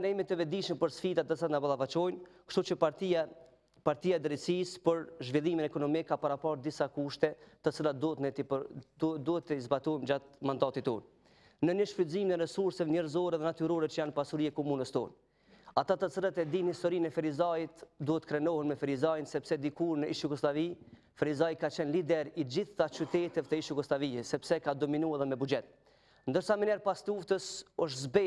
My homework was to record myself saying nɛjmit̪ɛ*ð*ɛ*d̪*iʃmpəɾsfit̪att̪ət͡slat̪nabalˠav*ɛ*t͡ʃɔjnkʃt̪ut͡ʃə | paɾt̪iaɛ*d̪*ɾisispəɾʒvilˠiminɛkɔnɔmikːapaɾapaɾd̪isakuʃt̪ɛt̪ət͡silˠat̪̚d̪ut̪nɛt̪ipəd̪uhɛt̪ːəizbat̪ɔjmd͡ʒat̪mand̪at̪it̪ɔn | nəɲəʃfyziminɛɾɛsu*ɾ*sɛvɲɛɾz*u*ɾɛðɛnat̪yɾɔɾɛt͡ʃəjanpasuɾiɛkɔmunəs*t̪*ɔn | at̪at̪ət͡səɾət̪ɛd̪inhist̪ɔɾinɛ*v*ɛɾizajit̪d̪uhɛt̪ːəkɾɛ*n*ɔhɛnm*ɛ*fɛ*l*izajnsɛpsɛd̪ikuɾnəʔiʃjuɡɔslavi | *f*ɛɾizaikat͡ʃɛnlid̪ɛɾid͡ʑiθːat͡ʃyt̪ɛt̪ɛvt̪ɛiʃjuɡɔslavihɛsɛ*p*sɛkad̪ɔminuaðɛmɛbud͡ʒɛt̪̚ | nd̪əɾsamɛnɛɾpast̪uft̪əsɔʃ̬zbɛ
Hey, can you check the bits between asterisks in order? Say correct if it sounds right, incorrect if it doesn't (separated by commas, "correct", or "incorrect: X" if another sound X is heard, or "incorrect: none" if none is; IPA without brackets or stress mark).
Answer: incorrect: v, correct, incorrect: a, correct, correct, incorrect: ɔ, correct, incorrect: f, correct, correct, incorrect: ɾ, correct, correct